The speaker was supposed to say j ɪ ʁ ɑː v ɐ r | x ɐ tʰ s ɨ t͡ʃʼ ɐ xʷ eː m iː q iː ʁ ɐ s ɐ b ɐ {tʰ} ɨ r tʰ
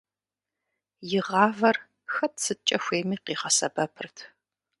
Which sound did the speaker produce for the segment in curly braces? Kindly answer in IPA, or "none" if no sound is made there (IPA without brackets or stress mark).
pʰ